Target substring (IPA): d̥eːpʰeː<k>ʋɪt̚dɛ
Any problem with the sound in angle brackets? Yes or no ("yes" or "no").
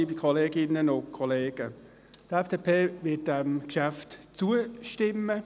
yes